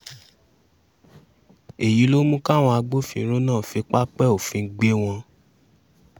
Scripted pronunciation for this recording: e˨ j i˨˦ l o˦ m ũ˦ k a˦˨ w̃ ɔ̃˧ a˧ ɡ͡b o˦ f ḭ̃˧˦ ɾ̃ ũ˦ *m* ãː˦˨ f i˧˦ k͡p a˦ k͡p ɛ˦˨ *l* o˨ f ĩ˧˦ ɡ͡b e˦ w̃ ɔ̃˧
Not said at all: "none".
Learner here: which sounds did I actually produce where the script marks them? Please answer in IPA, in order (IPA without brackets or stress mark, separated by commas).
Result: n, none